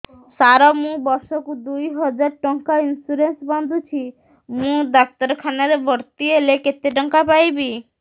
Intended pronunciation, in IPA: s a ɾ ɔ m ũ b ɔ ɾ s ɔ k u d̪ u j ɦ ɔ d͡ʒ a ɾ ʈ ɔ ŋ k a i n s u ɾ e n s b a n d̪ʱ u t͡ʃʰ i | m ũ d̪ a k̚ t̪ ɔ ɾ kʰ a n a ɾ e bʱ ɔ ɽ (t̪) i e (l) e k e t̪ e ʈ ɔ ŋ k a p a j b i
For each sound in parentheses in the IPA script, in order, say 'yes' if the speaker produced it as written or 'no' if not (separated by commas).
yes, yes